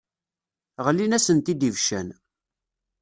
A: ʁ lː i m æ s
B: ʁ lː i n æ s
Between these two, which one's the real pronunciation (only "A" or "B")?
B